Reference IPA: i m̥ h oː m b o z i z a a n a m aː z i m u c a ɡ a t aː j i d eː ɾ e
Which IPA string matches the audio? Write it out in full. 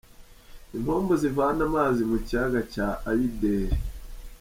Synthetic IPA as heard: i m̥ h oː m b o z i v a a n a m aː z i m u c a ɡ a c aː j i d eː ɾ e